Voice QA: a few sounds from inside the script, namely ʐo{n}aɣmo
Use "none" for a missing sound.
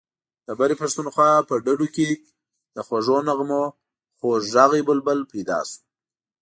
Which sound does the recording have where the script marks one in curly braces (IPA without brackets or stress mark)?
n